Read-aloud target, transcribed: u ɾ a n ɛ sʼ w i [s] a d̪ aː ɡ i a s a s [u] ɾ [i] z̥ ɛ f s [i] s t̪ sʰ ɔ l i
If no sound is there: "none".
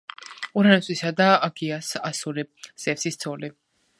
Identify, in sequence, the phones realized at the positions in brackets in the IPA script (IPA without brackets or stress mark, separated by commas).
s, u, i, i